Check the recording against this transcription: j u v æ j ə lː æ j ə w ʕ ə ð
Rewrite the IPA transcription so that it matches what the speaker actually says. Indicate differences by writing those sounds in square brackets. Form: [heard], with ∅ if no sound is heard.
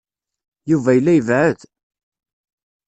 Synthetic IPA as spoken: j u v æ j ə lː æ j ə [v] ʕ ə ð

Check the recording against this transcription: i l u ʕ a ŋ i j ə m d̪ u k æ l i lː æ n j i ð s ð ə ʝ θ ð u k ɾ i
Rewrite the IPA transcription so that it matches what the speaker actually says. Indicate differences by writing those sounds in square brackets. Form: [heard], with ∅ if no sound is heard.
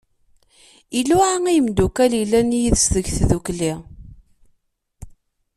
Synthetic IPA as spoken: i l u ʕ a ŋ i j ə m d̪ u k æ l i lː æ n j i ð s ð ə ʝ θ ð u k [l] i

